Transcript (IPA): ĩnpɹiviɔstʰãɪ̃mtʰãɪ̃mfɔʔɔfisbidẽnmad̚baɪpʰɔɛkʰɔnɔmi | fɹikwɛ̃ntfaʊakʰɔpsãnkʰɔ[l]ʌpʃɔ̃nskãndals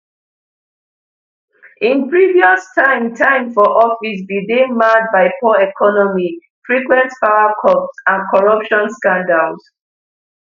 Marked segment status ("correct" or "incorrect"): incorrect